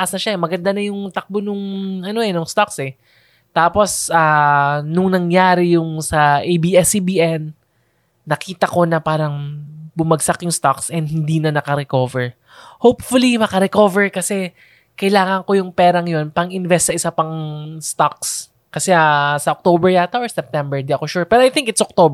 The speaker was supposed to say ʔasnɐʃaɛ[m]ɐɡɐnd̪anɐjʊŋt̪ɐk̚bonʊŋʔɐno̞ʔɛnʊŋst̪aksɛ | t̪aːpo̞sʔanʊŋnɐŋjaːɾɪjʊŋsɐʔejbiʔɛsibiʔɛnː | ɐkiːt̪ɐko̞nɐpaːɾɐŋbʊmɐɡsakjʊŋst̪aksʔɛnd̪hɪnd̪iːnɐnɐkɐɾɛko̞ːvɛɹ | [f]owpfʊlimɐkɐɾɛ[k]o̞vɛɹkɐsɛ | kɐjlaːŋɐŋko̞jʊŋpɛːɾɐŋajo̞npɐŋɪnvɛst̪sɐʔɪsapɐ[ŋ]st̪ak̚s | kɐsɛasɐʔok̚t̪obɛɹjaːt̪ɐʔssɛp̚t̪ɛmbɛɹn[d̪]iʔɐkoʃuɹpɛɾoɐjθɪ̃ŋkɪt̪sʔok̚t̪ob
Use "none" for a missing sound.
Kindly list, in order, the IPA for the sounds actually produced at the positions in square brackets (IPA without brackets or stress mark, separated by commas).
m, h, k, ŋ, d̪